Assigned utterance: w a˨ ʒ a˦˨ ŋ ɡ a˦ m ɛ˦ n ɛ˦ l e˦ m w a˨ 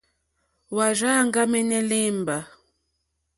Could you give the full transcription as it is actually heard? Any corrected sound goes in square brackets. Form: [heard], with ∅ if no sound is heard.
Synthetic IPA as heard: w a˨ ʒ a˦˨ ŋ ɡ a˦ m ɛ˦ n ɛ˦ l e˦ m [b] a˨